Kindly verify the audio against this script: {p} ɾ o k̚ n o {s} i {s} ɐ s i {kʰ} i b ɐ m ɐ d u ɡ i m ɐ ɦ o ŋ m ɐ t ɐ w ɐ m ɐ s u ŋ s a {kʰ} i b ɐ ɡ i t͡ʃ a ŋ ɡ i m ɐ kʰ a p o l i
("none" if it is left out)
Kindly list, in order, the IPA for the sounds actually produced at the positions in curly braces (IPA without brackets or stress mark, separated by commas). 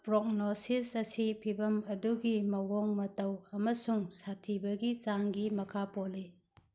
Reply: p, s, s, pʰ, tʰ